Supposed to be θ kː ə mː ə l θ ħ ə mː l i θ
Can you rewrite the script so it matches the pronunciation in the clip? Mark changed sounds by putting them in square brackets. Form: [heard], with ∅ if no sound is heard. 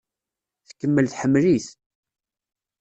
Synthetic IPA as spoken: θ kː ə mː ə l θ ħ ə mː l i θ